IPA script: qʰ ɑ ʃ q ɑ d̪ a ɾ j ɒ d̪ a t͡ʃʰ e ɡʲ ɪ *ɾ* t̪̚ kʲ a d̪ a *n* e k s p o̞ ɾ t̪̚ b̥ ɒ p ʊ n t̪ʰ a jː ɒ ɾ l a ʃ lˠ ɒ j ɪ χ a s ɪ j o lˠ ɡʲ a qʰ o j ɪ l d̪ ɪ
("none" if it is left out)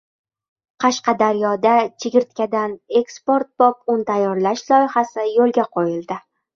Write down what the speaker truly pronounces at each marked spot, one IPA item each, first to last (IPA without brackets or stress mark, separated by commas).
ɾ, n